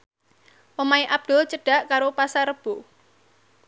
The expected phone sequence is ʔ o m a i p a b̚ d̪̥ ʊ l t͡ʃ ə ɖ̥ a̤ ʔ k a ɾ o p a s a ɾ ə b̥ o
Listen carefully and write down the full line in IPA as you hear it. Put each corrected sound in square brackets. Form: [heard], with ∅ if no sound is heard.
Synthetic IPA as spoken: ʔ o m a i [ʔ] a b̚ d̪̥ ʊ l t͡ʃ ə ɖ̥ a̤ ʔ k a ɾ o p a s a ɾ ə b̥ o